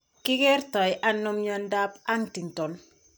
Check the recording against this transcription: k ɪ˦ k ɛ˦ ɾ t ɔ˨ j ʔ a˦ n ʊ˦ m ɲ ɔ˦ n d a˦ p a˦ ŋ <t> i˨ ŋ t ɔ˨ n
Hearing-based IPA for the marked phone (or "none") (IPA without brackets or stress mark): t